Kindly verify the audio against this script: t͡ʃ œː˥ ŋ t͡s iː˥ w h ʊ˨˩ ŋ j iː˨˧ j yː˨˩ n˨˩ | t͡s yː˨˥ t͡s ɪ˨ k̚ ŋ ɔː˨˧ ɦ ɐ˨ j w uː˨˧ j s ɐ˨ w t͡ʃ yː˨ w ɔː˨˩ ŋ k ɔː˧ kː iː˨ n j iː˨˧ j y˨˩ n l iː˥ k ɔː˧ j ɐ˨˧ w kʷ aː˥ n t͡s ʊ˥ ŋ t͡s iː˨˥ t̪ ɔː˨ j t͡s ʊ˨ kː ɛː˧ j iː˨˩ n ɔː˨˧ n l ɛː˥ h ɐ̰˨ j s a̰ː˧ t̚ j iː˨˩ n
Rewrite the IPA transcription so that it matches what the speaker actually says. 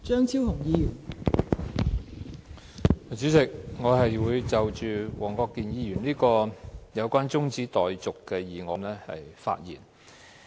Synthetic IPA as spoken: t͡ʃ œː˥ ŋ t͡sʰ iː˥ w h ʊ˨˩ ŋ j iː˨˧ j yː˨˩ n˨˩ | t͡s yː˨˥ t͡s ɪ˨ k̚ ŋ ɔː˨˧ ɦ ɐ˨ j w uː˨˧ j t͡s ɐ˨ w t͡ʃ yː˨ w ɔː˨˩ ŋ k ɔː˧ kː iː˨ n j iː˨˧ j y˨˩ n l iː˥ k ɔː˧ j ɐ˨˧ w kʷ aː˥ n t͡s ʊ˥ ŋ t͡s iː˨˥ t̪ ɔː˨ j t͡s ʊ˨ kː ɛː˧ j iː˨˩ ŋ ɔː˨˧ n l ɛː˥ h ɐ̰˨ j f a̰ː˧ t̚ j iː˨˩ n

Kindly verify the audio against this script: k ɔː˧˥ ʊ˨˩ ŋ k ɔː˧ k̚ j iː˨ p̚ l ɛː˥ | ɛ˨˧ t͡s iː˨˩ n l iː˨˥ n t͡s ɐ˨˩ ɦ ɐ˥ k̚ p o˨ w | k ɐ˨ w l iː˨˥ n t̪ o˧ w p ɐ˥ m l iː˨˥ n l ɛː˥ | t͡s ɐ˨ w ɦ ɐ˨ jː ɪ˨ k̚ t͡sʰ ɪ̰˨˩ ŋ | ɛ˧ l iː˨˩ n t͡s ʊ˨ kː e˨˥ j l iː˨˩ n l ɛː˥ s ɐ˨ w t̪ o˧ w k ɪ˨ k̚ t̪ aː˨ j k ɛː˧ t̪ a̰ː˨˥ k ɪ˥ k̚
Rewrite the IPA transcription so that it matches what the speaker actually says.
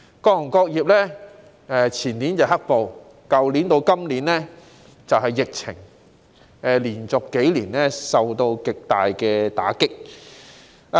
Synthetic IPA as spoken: k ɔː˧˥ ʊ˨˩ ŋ k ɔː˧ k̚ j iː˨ p̚ l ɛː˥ | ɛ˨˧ t͡sʰ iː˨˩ n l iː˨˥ n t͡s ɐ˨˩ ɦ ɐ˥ k̚ p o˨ w | k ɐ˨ w l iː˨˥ n t̪ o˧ w k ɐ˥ m l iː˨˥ n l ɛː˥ | t͡s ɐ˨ w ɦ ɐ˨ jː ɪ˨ k̚ t͡sʰ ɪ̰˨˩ ŋ | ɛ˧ l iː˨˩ n t͡s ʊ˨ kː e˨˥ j l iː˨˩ n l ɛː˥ s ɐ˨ w t̪ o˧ w k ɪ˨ k̚ t̪ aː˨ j k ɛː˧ t̪ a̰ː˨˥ k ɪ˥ k̚

